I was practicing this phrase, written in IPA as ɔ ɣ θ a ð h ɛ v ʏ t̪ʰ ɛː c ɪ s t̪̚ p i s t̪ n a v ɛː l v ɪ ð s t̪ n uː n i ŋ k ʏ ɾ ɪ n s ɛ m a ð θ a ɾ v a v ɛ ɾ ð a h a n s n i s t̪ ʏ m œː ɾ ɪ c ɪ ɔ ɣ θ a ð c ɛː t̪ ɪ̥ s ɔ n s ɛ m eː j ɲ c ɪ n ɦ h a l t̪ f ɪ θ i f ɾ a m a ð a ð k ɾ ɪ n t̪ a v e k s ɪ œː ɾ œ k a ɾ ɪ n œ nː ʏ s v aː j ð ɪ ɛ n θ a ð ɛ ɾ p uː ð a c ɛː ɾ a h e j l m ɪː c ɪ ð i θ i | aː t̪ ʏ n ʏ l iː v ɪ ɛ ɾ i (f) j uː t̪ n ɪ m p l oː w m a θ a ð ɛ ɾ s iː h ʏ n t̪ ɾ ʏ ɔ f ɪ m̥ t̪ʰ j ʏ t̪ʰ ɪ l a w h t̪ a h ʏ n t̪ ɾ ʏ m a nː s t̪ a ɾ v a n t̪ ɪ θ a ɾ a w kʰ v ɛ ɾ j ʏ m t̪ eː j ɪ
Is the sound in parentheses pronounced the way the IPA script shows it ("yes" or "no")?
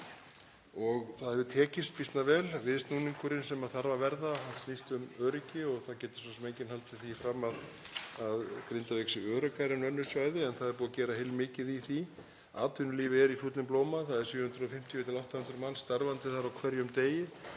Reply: yes